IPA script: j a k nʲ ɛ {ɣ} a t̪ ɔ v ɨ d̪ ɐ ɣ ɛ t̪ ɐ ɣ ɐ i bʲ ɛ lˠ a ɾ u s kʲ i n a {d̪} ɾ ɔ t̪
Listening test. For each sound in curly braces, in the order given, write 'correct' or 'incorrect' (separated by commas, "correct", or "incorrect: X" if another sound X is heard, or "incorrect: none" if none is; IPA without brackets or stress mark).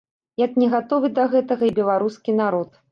correct, incorrect: none